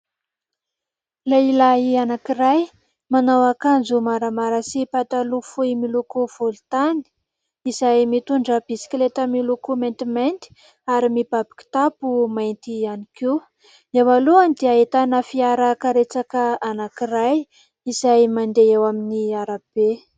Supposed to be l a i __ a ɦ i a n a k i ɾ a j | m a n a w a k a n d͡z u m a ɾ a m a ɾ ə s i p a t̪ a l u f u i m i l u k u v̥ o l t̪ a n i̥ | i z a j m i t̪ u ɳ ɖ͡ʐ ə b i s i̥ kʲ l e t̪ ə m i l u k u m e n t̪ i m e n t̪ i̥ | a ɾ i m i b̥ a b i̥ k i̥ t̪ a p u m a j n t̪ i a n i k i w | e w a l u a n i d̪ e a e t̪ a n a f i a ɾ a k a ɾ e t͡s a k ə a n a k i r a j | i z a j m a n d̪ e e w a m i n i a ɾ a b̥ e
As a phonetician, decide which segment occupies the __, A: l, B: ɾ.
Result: A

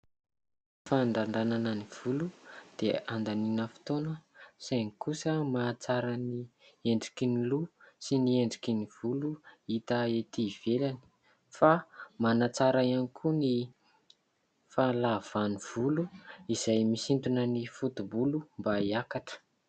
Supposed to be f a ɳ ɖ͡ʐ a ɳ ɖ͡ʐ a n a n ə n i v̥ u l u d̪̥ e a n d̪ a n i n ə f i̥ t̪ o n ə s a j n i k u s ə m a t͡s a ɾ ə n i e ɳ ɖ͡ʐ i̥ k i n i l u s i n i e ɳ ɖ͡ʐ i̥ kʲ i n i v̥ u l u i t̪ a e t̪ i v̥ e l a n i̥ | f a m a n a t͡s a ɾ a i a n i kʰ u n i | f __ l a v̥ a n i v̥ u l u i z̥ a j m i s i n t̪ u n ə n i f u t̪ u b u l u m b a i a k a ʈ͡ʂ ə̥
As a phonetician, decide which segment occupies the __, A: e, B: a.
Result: B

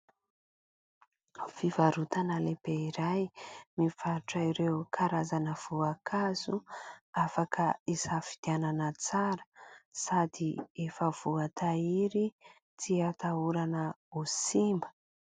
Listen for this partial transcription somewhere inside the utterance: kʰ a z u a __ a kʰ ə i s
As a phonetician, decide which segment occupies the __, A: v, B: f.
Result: B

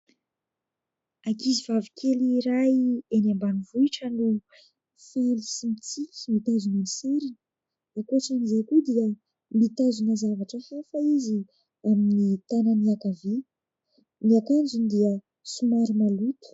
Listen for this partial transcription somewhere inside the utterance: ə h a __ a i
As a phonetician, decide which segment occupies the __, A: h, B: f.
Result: B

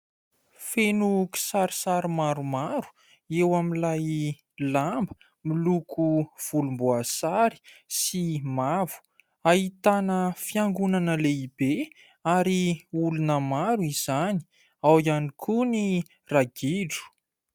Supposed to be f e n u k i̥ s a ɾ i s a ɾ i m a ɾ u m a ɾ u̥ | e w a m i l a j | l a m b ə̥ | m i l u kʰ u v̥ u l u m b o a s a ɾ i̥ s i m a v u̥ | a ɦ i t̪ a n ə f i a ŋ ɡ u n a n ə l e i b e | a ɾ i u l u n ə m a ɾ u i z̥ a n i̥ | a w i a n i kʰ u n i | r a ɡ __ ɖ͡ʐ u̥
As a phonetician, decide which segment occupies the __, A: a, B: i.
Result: B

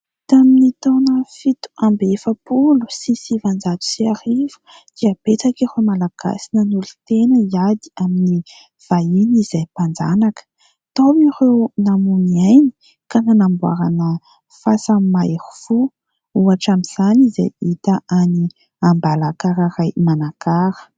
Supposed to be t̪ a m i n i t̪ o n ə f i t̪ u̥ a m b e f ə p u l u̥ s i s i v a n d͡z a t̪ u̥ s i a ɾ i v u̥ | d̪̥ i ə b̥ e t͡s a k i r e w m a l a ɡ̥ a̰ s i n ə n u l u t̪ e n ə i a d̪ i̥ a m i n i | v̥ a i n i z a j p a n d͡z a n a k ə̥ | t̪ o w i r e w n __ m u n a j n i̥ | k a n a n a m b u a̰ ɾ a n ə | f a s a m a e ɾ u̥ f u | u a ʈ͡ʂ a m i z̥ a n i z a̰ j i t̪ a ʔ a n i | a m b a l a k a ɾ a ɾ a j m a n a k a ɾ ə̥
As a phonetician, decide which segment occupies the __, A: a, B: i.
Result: A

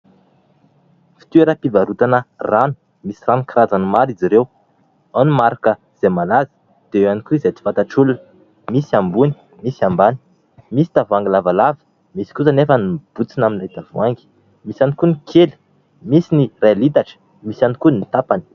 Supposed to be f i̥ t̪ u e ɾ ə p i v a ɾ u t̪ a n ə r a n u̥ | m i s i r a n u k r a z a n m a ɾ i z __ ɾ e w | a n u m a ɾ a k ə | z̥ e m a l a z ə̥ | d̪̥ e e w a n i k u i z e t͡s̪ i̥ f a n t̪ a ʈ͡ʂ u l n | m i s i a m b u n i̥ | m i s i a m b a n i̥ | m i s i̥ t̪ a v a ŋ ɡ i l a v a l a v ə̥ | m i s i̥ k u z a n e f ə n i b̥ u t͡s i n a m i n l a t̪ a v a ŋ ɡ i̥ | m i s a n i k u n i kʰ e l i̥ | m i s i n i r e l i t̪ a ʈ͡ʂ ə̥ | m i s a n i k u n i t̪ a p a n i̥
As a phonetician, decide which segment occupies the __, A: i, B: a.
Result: A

